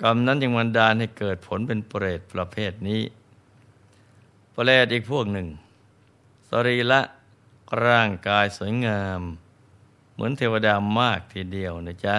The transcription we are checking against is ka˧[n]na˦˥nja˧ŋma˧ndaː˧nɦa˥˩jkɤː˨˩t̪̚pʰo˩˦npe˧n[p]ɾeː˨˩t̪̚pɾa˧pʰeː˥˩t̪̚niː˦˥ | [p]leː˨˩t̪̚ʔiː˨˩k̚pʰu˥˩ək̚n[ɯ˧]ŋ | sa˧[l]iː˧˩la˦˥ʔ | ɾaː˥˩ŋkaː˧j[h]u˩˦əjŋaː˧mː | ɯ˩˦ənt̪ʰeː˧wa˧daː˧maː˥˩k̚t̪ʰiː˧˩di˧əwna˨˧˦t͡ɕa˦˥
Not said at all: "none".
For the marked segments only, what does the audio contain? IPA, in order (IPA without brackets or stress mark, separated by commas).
m, p, p, ɯ˨˩, ɾ, s